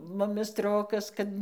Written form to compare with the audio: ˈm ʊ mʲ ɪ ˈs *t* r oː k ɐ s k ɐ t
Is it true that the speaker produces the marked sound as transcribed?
yes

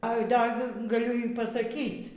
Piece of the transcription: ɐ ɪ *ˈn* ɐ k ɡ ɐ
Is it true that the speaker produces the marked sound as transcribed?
no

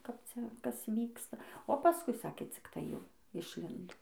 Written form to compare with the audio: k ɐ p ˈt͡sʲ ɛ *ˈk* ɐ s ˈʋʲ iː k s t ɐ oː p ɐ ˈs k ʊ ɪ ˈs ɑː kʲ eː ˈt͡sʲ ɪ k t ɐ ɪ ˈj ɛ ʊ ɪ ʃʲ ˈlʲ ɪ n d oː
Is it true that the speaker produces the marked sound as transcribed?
yes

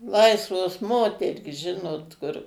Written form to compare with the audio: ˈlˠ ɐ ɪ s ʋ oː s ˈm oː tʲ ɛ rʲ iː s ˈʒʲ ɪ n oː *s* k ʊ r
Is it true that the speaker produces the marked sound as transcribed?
no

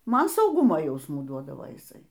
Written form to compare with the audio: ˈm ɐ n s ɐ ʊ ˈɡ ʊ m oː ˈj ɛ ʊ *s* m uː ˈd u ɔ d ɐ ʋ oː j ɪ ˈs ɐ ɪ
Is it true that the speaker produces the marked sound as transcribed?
yes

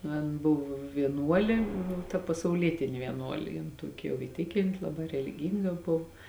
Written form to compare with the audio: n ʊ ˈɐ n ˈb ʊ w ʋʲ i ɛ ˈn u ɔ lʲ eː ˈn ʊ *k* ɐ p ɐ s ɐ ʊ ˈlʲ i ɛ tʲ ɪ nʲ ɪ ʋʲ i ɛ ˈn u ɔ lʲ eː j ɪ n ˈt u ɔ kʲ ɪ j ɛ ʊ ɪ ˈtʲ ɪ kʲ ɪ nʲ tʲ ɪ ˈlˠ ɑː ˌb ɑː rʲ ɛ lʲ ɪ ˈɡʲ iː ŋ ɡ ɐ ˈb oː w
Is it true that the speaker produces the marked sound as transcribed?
no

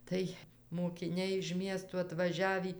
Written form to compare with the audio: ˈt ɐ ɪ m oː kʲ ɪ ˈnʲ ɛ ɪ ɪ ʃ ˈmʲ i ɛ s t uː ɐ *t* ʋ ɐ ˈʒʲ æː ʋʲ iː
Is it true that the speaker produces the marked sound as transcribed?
yes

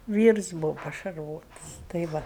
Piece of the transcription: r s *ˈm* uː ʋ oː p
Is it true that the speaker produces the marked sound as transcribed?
no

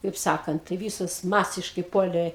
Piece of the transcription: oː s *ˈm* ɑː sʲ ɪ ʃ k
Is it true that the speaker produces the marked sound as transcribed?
yes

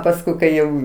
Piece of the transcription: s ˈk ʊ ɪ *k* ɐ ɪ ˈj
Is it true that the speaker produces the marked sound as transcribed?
yes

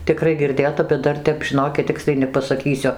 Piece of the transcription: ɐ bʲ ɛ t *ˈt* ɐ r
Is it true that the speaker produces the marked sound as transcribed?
no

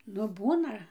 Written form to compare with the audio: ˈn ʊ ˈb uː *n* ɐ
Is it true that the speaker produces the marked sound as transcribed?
yes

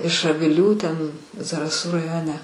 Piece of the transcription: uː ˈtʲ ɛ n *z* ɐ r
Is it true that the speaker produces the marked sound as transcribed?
yes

